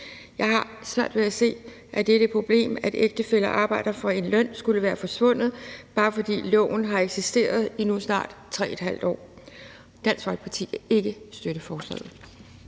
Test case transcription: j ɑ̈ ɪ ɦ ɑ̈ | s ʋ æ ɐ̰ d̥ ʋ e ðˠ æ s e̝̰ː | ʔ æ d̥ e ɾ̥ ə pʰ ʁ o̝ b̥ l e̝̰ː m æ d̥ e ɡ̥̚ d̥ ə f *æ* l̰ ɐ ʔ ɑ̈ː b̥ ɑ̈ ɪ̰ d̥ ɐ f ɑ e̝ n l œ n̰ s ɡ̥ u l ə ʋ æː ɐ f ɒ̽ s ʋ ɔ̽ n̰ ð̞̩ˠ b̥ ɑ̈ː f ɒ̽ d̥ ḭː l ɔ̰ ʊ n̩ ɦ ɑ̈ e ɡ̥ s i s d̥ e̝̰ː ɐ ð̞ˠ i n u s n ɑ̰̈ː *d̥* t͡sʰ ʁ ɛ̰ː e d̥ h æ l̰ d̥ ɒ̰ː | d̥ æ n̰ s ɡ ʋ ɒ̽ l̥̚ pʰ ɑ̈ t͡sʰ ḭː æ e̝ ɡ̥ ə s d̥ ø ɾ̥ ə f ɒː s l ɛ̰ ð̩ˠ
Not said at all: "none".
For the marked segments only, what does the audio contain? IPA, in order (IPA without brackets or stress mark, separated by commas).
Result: e, d̥